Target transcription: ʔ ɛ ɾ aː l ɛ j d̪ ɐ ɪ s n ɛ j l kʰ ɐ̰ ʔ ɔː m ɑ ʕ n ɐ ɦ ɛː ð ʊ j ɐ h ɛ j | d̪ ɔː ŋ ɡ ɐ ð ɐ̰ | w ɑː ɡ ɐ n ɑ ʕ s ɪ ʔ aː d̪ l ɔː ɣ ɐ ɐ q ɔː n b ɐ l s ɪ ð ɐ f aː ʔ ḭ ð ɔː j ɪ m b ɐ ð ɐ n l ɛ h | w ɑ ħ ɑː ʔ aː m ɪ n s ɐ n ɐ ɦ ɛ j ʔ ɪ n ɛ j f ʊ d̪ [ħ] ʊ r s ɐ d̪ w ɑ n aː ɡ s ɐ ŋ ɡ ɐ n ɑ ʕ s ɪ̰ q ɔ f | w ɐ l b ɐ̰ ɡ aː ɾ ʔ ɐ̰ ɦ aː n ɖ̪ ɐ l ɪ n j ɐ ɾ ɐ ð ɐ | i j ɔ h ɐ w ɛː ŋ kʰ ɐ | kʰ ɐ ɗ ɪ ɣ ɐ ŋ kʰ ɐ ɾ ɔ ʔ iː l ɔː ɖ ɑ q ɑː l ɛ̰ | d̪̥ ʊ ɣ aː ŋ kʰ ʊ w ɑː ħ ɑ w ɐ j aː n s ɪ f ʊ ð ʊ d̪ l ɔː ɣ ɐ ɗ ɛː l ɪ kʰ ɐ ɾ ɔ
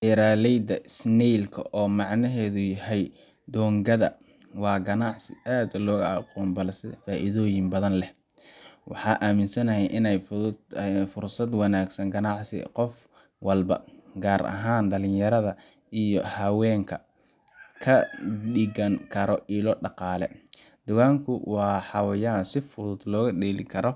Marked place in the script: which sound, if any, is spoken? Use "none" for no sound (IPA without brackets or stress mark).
f